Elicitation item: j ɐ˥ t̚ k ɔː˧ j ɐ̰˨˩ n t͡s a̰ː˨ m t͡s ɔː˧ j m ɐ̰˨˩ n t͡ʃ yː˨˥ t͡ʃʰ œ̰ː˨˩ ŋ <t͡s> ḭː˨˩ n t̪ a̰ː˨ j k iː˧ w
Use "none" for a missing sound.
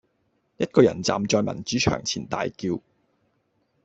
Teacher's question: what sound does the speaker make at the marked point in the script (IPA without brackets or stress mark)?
t͡sʰ